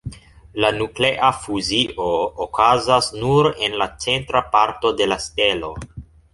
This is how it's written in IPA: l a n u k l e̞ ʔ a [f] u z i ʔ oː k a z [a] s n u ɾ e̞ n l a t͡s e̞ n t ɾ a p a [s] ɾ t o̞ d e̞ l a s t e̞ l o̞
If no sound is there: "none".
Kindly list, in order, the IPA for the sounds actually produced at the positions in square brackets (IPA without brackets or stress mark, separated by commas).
f, a, none